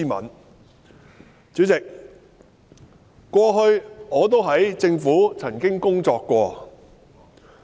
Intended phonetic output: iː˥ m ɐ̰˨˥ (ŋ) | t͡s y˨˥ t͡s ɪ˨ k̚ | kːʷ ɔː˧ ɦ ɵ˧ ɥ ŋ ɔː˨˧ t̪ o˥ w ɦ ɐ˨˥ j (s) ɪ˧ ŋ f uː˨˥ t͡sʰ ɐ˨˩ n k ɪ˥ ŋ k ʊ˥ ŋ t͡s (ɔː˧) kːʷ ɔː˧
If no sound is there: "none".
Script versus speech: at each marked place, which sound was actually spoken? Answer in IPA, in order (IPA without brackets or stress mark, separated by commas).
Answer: n, t͡s, ɔː˧